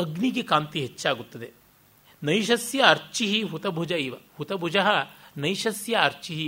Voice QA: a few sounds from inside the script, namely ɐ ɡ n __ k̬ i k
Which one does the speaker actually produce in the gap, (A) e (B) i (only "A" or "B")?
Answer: B